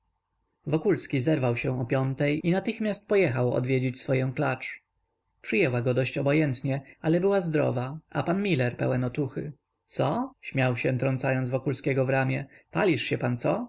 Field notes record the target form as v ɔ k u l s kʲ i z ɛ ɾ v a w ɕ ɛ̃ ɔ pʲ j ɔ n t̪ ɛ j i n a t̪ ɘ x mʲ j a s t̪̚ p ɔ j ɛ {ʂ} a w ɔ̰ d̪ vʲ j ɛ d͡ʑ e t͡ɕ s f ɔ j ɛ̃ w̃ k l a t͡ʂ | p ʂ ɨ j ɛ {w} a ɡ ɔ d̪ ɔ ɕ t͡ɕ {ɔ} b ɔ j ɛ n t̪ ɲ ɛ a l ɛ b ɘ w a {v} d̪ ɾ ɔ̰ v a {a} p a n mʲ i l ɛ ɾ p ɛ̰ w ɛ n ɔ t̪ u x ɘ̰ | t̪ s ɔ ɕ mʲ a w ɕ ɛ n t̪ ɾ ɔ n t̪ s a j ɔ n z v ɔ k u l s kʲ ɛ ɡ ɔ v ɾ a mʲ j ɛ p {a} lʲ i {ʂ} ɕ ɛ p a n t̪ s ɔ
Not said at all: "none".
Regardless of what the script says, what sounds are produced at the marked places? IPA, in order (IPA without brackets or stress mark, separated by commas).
x, w, ɔ, z, a, a, ʂ